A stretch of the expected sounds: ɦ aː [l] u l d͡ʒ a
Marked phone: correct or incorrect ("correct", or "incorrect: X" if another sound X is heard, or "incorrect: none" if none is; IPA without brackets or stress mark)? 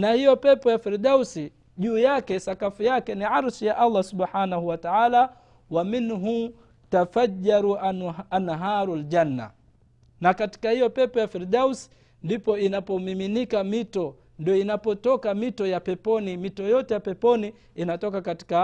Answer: incorrect: ɾ